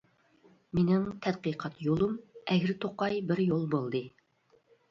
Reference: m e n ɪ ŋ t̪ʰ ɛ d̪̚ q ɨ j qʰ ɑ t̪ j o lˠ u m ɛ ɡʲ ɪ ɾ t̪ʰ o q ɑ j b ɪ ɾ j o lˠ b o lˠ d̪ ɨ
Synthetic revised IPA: m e n ɪ ŋ t̪ʰ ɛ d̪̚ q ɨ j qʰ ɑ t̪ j o lˠ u m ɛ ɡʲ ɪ ɾ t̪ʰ o q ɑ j b ɪ ɾ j o lˠ b o lˠ d̪ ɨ